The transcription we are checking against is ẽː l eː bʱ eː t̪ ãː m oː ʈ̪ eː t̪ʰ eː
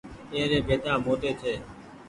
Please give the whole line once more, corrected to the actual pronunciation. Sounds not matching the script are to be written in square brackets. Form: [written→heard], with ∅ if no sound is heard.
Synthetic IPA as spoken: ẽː [l→ɾ] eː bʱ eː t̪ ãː m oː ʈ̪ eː t̪ʰ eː